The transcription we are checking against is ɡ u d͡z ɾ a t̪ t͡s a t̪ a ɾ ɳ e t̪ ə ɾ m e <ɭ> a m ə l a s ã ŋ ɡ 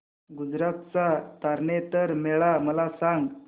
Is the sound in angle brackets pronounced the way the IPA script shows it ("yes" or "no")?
yes